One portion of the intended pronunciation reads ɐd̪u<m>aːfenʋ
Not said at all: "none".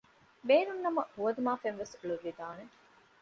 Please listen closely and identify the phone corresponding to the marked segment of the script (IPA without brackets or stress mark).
m